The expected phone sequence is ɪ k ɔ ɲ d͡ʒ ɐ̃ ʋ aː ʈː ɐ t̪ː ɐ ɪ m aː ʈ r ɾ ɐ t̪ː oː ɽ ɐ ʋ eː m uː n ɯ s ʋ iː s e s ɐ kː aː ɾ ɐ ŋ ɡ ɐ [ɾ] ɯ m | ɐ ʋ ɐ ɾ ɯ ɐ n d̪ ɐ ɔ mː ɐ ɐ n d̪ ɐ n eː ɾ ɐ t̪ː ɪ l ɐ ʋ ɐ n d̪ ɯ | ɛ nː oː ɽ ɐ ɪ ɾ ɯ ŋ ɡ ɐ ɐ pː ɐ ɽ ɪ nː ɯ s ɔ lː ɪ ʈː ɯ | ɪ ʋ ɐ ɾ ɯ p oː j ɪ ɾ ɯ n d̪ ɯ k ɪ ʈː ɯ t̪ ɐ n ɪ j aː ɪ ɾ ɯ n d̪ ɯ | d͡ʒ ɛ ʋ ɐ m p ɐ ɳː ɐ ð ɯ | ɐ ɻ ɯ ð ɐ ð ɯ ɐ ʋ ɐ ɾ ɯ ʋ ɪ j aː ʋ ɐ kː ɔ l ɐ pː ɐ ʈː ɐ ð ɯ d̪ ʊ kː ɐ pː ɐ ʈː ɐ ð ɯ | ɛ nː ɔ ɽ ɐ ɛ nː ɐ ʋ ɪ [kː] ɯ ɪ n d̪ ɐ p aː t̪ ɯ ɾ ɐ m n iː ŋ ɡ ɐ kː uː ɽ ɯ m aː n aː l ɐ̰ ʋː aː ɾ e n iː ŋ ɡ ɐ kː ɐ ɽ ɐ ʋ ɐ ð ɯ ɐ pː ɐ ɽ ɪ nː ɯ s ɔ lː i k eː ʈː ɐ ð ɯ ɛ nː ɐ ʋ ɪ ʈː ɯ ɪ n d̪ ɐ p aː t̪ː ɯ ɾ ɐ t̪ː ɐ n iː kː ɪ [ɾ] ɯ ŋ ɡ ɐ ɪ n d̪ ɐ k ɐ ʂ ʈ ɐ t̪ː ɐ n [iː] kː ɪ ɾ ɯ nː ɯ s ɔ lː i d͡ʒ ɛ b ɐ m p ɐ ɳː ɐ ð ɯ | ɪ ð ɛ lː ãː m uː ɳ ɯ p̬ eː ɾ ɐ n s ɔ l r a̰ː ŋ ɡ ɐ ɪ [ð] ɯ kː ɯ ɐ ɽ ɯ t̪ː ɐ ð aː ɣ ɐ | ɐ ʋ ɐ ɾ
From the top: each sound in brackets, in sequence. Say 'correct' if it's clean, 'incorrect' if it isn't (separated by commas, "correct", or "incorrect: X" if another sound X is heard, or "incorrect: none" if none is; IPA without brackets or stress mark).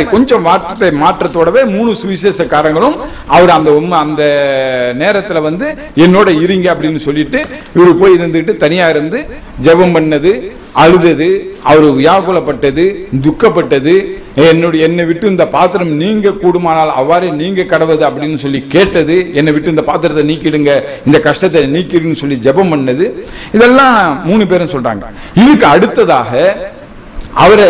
incorrect: ɭ, incorrect: ʈː, incorrect: ɽ, correct, correct